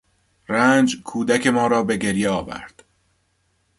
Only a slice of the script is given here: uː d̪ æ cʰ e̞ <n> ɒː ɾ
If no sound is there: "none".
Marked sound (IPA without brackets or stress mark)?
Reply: m